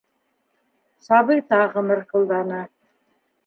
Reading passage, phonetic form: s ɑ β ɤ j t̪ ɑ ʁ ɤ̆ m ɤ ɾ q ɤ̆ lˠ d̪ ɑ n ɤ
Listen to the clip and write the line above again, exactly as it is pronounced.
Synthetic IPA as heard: s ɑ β ɤ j t̪ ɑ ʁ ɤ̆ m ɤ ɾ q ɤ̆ lˠ d̪ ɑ n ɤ